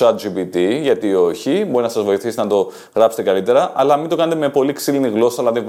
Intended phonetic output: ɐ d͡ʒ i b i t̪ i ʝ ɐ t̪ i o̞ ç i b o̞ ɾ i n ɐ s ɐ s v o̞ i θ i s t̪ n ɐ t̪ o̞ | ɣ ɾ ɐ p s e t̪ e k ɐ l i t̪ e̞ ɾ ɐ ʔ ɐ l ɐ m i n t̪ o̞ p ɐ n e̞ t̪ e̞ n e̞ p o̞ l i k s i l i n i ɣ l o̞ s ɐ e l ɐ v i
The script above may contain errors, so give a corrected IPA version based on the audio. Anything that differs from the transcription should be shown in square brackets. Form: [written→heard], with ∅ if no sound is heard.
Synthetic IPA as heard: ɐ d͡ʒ i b i t̪ i ʝ ɐ t̪ i o̞ ç i b o̞ ɾ i n ɐ s ɐ [s→z] v o̞ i θ i s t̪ n ɐ t̪ o̞ | ɣ ɾ ɐ p s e t̪ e k ɐ l i t̪ e̞ ɾ ɐ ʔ ɐ l ɐ m i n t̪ o̞ [p→k] ɐ n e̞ t̪ e̞ [n→m] e̞ p o̞ l i k s i l i n i ɣ l o̞ s ɐ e l ɐ [v→ð] i